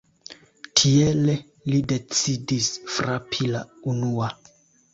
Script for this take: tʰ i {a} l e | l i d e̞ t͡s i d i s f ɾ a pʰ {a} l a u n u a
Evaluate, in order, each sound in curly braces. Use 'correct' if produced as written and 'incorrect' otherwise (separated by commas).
incorrect, incorrect